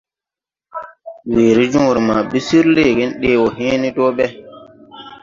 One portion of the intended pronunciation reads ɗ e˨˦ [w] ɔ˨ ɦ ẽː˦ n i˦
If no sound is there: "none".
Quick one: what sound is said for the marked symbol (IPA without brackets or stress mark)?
w